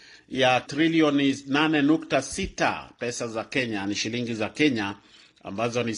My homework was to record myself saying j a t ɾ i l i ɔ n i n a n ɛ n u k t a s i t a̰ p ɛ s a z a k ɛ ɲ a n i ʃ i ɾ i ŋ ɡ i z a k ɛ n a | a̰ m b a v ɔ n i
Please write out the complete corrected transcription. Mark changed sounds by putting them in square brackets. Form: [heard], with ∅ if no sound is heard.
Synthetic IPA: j a t ɾ i l i ɔ n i n a n ɛ n u k t a s i t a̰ p ɛ s a z a k ɛ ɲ a n i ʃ i [l] i ŋ ɡ i z a k ɛ [ɲ] a | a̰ m b a [z] ɔ n i